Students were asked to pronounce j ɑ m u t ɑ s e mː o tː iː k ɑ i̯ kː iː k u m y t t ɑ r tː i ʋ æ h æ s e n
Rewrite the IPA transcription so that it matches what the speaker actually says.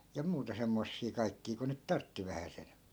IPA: j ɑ m uː t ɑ s e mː o sː iː k ɑ i̯ kː iː k u n y t t ɑ r tː i ʋ æ h æ s e n